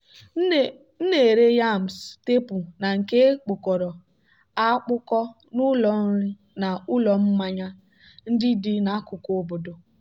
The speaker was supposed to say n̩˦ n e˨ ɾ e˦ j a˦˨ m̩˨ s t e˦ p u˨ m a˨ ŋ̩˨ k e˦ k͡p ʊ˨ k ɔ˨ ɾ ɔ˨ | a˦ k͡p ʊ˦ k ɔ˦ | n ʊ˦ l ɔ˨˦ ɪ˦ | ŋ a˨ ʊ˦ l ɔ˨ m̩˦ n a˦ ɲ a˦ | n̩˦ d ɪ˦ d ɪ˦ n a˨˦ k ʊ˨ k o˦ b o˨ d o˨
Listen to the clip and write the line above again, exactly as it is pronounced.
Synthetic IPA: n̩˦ n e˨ ɾ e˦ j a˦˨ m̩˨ s t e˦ p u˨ n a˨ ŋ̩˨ k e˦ k͡p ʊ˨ k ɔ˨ ɾ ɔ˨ | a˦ k͡p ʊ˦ k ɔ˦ | n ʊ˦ l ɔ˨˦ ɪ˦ | n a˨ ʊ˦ l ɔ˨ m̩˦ m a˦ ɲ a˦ | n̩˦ d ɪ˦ d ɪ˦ n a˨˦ k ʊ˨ k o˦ b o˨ d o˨